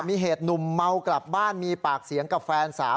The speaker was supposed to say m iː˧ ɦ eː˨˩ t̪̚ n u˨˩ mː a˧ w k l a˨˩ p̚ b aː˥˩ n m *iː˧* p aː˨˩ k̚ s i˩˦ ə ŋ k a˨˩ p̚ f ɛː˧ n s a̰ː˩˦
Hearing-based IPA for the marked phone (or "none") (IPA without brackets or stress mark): iː˧